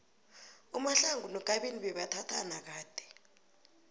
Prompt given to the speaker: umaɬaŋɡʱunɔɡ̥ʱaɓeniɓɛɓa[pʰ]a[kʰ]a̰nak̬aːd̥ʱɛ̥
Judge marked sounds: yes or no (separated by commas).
no, no